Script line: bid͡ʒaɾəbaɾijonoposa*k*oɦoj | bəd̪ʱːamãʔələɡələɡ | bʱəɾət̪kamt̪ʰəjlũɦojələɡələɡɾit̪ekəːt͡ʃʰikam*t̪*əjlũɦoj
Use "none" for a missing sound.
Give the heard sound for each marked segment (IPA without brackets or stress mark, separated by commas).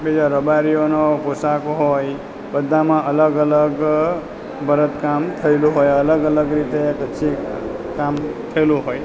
k, t̪ʰ